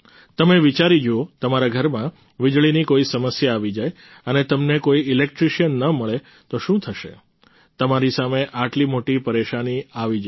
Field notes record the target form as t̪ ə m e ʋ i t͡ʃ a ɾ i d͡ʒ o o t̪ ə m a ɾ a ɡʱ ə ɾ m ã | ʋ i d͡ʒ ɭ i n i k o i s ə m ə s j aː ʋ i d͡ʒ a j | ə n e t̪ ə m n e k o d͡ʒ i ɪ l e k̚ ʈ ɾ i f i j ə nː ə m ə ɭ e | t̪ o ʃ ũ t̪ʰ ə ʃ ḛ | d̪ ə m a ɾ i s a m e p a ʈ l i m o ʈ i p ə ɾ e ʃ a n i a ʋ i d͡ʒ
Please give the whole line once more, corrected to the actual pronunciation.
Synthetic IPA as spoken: t̪ ə m e ʋ i t͡ʃ a ɾ i d͡ʒ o o t̪ ə m a ɾ a ɡʱ ə ɾ m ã | ʋ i d͡ʒ ɭ i n i k o i s ə m ə s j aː ʋ i d͡ʒ a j | ə n e t̪ ə m n e k o i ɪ l e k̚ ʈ ɾ i ʃ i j ə nː ə m ə ɭ e | t̪ o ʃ ũ t̪ʰ ə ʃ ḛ | t̪ ə m a ɾ i s a m e ʔ a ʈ l i m o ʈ i p ə ɾ e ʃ a n i a ʋ i d͡ʒ